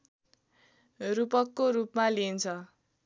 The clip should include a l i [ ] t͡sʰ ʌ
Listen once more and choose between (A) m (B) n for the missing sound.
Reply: B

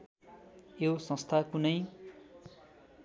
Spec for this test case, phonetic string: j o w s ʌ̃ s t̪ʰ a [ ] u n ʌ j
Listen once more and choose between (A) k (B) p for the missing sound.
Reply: A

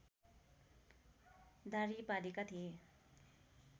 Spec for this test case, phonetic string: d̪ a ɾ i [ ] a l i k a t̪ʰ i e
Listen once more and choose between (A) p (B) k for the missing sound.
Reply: A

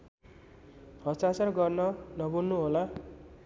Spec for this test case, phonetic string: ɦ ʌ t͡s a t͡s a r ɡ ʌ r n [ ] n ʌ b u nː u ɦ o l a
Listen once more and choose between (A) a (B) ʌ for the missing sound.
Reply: B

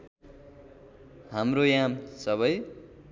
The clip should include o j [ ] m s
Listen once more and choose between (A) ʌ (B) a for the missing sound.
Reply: B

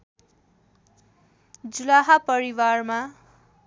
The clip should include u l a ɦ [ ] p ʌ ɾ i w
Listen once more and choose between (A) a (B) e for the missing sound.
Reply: A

